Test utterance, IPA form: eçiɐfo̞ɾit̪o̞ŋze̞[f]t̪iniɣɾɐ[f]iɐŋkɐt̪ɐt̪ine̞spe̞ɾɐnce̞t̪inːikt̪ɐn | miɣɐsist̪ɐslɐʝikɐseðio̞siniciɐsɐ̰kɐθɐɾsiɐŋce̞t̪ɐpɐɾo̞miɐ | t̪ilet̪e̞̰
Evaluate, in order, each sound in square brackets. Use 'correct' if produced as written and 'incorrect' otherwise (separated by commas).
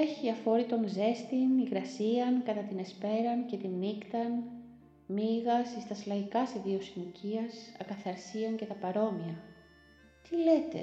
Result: incorrect, incorrect